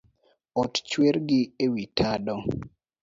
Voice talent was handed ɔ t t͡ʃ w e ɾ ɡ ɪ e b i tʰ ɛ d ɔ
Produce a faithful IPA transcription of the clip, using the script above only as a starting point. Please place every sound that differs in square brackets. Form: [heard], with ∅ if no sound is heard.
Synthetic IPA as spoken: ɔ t t͡ʃ w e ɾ ɡ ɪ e [w] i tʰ [a] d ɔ